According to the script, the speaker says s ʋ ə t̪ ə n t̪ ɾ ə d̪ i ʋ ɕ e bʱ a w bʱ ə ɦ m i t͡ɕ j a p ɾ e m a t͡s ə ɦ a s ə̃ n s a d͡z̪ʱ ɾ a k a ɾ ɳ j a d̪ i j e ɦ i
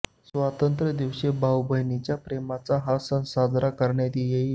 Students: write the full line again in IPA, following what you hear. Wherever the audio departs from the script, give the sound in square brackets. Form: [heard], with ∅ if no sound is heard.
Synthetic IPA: s ʋ [a] t̪ ə n t̪ ɾ ə d̪ i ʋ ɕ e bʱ a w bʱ ə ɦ [n] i t͡ɕ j a p ɾ e m a t͡s [a] ɦ a s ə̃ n s a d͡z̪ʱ ɾ a k [ə] ɾ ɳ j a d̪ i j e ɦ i